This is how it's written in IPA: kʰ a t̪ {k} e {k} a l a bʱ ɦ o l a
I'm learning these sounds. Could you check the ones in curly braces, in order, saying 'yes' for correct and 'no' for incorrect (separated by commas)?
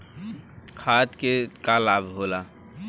yes, yes